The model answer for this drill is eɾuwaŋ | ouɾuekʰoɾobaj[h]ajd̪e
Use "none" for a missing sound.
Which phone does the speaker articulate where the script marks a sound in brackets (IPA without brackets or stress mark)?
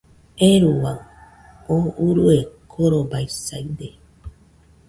s